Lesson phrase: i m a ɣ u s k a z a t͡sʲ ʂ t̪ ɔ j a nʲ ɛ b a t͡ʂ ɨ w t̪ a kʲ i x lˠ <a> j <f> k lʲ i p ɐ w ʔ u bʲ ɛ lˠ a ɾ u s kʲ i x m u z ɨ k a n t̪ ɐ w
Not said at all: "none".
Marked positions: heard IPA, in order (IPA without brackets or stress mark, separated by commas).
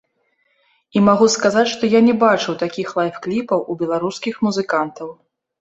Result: a, f